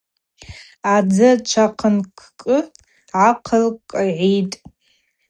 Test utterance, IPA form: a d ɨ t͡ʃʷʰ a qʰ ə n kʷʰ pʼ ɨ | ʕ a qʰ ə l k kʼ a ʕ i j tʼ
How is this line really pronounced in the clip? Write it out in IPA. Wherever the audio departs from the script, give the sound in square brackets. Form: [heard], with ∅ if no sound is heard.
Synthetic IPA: a [d͡z] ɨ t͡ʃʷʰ a qʰ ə n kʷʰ [kʼ] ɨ | ʕ a qʰ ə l k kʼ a ʕ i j tʼ